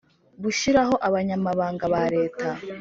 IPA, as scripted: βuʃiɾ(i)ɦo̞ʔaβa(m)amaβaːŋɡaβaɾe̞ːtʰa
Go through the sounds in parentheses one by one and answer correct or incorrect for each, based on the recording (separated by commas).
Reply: incorrect, incorrect